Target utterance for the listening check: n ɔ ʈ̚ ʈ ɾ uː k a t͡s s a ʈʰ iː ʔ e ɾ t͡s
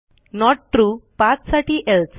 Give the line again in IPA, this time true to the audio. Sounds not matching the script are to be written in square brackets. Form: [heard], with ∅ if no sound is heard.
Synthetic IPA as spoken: n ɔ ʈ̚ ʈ ɾ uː [p] a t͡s s a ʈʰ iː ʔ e [l] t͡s

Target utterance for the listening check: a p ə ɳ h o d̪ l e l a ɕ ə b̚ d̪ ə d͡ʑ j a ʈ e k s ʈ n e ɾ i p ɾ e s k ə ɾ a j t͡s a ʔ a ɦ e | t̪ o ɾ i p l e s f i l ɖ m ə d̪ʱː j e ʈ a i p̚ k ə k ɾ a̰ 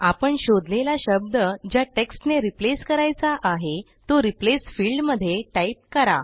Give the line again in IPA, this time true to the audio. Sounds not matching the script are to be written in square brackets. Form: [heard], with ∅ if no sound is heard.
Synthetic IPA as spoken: a p ə ɳ [ɕ] o d̪ l e l a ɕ ə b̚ d̪ ə d͡ʑ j a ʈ e k s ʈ n e ɾ i p [l] e s k ə ɾ a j t͡s a ʔ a ɦ e | t̪ o ɾ i p l e s f i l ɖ m ə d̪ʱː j e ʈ a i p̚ k ə [∅] ɾ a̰

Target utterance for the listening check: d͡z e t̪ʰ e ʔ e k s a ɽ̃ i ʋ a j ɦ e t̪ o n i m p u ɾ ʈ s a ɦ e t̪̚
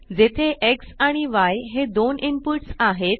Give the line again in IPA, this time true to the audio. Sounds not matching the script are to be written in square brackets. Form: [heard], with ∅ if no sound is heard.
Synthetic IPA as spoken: d͡z e t̪ʰ e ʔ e k s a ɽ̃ i ʋ a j ɦ e [d̪] o n i m p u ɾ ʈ s a ɦ e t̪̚

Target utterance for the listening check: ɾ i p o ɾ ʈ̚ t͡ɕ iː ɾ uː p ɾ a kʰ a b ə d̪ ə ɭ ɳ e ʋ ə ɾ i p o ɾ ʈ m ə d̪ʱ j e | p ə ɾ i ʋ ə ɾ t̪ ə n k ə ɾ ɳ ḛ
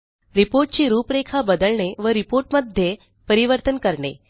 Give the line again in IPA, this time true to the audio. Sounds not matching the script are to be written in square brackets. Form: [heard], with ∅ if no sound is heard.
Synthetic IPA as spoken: ɾ i p o ɾ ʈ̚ t͡ɕ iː ɾ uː p ɾ [e] kʰ a b ə d̪ ə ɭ ɳ e ʋ ə ɾ i p o ɾ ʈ m ə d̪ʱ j e | p ə ɾ i ʋ ə ɾ t̪ ə n k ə ɾ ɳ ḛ

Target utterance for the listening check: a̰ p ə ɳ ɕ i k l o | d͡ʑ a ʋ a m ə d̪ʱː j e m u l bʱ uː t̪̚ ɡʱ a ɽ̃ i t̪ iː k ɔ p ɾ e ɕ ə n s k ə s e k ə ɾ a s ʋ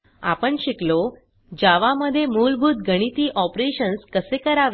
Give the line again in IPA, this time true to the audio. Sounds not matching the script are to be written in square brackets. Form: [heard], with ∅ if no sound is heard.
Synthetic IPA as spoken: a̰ p ə ɳ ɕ i k l o | d͡ʑ a ʋ a m ə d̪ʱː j e m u l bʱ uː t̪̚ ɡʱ [ə] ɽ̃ i t̪ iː [ʔ] ɔ p ɾ e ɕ ə n s k ə s e k ə ɾ a [∅] ʋ

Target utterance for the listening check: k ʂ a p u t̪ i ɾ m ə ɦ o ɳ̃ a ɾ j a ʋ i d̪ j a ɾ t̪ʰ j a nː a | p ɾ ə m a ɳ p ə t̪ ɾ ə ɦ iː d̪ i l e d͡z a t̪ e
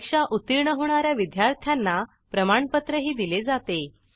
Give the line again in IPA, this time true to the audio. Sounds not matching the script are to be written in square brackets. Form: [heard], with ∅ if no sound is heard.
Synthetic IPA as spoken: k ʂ a [ʔ] u t̪ i ɾ [ɳ] ə ɦ o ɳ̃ a ɾ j a ʋ i d̪ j a ɾ t̪ʰ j a nː a | p ɾ ə m a ɳ p ə t̪ ɾ ə ɦ iː d̪ i l e d͡z a t̪ e

